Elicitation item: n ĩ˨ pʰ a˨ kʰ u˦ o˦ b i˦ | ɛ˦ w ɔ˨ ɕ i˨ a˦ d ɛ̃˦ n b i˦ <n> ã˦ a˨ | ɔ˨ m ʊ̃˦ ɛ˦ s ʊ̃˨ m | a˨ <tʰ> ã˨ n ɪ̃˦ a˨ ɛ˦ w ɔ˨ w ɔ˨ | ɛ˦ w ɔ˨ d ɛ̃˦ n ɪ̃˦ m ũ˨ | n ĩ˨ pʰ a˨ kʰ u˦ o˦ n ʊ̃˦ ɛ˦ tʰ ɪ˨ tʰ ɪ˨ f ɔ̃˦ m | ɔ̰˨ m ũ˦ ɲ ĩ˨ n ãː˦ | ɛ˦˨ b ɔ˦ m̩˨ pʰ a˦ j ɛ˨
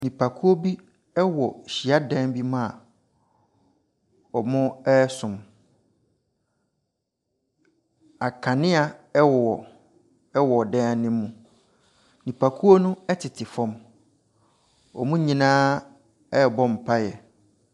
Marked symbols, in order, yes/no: no, no

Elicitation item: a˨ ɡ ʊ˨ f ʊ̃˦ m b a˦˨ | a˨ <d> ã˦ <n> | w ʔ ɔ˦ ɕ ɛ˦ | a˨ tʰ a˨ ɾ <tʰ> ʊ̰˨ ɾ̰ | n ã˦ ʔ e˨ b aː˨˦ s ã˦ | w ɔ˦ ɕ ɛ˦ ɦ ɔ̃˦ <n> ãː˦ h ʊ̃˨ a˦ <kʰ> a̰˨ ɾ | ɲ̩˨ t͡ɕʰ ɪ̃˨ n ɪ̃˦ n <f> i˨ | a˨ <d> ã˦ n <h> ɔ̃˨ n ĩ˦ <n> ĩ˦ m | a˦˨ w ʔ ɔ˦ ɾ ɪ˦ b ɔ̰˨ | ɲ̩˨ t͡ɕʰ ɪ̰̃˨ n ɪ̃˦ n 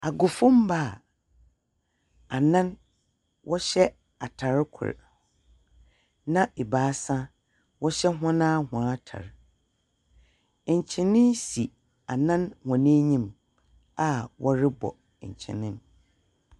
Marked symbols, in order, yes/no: no, yes, no, yes, no, no, no, yes, no

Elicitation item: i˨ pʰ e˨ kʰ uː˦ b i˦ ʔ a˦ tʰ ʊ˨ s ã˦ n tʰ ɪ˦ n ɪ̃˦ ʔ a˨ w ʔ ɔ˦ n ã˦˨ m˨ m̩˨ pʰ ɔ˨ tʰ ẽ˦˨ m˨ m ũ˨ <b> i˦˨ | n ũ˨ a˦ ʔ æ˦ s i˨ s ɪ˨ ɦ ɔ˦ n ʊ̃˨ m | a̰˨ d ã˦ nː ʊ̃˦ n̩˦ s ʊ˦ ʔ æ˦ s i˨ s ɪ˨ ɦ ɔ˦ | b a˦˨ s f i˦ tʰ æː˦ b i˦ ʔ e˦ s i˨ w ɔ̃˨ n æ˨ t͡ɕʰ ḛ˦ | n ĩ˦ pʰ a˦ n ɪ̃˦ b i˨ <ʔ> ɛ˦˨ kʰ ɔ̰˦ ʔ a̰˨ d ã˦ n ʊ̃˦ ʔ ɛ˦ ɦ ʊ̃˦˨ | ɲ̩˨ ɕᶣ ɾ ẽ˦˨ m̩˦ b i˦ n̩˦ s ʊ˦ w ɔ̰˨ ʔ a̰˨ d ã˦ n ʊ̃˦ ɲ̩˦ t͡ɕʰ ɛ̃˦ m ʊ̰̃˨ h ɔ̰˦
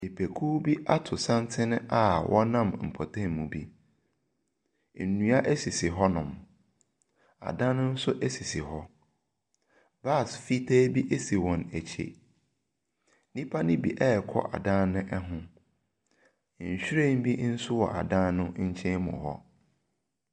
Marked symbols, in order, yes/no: yes, yes

